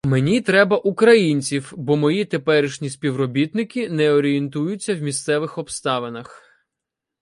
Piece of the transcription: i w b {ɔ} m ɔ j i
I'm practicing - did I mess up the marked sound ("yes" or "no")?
no